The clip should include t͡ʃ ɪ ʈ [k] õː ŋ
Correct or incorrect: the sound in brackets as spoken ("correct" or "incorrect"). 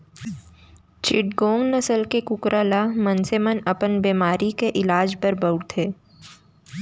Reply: incorrect